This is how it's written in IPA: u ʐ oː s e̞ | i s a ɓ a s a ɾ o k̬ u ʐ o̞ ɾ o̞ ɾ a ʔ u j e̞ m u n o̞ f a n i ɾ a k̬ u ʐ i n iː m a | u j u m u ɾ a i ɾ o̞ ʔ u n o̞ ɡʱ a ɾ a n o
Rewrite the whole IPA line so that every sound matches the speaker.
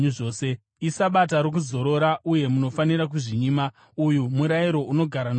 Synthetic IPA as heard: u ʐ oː s e̞ | i s a ɓ a t a ɾ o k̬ u z o̞ ɾ o̞ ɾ a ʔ u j e̞ m u n o̞ f a n i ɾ a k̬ u ʐ i ɲ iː m a | u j u m u ɾ a i ɾ o̞ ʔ u n o̞ ɡʱ a ɾ a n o